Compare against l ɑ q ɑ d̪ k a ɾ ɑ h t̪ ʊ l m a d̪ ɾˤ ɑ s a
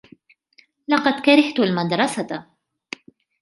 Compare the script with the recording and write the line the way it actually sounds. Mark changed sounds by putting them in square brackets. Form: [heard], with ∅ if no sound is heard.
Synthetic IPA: l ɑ q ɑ d̪ k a ɾ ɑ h t̪ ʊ l m a d̪ ɾˤ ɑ s a

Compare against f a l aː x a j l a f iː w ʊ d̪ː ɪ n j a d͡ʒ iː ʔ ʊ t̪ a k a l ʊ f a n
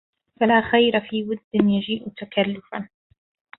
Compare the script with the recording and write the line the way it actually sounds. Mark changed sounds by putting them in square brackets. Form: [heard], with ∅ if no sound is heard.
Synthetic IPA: f a l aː x a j [ɾ] a f iː w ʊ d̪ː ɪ n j a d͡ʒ iː ʔ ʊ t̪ a k a [lː] ʊ f a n

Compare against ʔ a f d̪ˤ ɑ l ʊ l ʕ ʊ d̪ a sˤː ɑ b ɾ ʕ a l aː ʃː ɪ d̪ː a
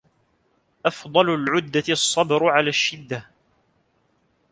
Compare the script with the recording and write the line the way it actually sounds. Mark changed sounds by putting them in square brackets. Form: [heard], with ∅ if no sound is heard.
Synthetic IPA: ʔ [ɑ] f d̪ˤ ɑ l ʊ l ʕ ʊ [d̪ː] a sˤː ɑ b ɾ ʕ a l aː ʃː ɪ d̪ː a

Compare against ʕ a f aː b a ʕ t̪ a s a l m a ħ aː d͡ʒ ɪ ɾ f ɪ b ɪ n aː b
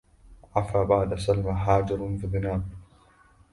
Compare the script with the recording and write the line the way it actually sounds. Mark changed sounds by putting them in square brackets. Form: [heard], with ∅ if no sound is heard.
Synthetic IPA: ʕ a f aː b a ʕ [d̪] a s a l m a ħ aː d͡ʒ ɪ ɾ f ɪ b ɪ n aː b

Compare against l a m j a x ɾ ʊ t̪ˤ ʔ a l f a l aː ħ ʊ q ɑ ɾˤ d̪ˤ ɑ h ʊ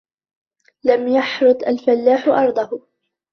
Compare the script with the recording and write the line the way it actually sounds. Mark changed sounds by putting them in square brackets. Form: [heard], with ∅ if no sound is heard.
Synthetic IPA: l a m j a [ħ] ɾ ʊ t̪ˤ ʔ a l f a [lː] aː ħ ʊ [ʔ] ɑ ɾˤ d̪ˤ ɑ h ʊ

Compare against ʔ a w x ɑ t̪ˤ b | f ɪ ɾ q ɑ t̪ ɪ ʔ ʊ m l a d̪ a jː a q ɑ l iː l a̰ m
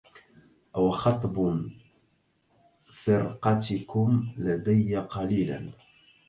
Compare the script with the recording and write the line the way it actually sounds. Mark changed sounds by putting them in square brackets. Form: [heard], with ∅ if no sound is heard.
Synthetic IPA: ʔ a w x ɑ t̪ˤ b | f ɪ ɾ q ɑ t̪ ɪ [k] ʊ m l a d̪ a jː a q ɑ l iː l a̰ [n]

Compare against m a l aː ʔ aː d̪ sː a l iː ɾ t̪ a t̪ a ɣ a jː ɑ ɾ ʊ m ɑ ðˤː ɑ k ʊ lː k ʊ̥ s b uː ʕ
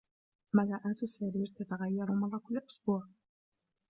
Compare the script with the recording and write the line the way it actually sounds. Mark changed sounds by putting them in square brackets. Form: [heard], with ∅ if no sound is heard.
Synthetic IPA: m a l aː ʔ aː [t̪] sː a [ɾ] iː ɾ t̪ a t̪ a ɣ a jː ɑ ɾ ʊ m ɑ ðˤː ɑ k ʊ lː [ʔ] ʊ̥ s b uː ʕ

